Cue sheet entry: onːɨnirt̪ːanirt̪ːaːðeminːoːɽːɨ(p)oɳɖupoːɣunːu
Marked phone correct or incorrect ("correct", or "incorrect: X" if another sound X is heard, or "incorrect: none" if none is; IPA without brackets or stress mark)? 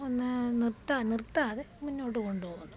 incorrect: k